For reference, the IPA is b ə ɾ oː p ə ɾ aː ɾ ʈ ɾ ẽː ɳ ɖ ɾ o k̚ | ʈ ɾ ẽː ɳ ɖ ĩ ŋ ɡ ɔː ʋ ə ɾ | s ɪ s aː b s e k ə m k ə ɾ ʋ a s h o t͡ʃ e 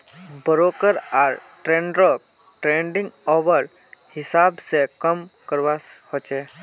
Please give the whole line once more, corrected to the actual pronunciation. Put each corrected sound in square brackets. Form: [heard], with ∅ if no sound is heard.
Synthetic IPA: b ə ɾ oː [k] ə ɾ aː ɾ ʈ ɾ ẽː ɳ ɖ ɾ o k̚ | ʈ ɾ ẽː ɳ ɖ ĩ ŋ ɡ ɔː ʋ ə ɾ | [h] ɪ s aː b s e k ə m k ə ɾ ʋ a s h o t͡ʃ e